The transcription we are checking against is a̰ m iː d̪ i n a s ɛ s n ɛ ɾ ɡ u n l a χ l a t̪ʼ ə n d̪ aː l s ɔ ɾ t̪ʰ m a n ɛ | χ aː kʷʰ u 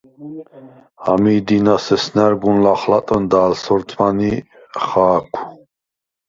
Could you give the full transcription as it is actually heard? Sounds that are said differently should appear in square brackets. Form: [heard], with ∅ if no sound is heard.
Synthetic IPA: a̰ m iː d̪ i n a s ɛ s n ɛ ɾ ɡ u n l a χ l a t̪ʼ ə n d̪ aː l s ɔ ɾ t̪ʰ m a n [i] | χ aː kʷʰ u